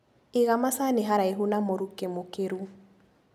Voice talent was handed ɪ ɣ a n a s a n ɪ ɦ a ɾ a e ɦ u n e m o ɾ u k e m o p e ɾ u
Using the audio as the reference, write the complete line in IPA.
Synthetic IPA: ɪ ɣ a m a s a n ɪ ɦ a ɾ a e ɦ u n a m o ɾ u k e m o k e ɾ u